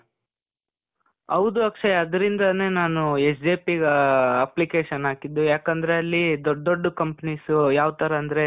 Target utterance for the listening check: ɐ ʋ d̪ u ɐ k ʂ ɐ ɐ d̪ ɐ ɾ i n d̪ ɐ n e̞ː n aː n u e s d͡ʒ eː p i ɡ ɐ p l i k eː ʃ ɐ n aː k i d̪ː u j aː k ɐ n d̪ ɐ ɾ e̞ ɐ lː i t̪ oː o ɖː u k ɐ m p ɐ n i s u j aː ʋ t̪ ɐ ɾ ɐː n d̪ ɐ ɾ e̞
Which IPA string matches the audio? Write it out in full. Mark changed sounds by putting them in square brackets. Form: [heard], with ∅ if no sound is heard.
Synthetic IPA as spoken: ɐ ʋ d̪ u ɐ k ʂ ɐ ɐ d̪ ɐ ɾ i n d̪ ɐ n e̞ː n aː n u e s d͡ʒ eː p i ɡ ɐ p l i k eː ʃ ɐ n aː k i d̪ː u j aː k ɐ n d̪ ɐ ɾ e̞ ɐ lː i [d̪] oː o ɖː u k ɐ m p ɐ n i s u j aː ʋ t̪ ɐ ɾ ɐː n d̪ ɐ ɾ e̞